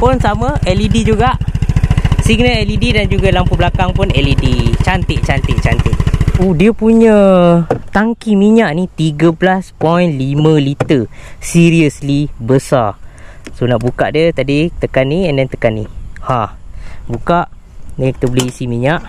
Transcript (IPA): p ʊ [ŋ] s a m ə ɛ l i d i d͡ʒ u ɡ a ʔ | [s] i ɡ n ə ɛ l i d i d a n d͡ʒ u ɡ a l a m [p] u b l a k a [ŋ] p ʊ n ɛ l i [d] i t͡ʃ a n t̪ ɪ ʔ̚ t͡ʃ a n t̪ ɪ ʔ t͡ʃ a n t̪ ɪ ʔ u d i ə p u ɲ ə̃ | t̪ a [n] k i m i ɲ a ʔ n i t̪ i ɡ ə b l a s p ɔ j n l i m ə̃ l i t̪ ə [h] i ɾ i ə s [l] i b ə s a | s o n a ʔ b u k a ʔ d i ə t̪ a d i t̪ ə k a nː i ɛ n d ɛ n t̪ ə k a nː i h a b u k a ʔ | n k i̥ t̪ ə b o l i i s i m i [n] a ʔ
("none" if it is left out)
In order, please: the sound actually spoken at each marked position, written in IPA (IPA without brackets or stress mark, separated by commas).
n, s, p, ŋ, d, ŋ, s, l, ɲ